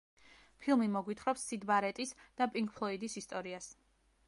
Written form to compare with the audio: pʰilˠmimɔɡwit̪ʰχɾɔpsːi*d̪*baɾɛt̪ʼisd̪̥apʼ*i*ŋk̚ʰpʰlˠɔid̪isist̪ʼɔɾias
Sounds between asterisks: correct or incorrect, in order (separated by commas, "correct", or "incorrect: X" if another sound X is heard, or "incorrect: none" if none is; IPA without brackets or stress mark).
correct, correct